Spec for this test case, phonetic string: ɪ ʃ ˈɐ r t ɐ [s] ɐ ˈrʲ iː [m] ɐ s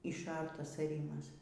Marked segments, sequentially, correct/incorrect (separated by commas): correct, correct